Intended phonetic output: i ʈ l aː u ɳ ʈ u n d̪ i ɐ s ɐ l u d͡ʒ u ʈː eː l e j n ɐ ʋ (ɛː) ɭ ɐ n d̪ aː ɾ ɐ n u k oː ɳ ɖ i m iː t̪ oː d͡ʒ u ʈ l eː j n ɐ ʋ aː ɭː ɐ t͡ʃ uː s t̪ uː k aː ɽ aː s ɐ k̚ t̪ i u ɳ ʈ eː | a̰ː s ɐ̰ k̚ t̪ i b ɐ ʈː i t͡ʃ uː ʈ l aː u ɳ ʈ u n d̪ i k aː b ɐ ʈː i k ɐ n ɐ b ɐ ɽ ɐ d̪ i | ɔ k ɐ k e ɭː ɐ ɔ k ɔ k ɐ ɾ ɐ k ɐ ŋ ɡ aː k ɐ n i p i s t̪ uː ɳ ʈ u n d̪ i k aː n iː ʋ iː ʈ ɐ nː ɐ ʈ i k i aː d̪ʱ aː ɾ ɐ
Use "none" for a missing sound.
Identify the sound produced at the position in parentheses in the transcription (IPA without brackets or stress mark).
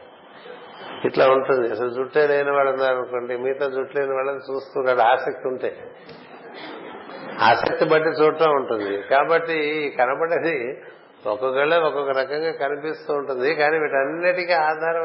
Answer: aː